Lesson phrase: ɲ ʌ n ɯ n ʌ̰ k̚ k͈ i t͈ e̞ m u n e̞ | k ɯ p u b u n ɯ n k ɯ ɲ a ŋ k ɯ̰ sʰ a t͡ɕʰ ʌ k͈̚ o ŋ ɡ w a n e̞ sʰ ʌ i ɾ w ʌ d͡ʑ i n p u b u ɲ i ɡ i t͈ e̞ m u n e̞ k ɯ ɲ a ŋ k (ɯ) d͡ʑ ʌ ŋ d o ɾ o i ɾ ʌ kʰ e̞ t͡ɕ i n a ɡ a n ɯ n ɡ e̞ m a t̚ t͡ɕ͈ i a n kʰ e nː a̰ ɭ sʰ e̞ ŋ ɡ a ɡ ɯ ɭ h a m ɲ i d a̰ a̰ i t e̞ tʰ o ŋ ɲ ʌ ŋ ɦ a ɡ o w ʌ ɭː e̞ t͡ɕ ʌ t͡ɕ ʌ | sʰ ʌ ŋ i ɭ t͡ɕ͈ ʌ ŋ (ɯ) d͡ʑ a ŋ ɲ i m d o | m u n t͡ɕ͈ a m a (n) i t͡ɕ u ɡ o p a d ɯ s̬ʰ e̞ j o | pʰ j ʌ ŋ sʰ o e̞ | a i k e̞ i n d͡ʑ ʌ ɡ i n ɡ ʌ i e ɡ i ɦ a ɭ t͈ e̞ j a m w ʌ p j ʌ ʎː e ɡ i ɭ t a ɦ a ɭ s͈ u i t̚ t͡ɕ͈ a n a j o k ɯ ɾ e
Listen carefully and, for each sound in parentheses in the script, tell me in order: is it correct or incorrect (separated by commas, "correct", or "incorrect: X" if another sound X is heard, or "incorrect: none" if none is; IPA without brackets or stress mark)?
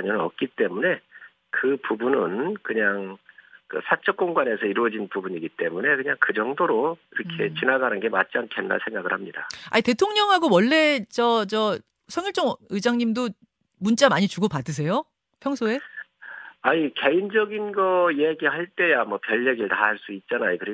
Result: correct, correct, incorrect: ɲ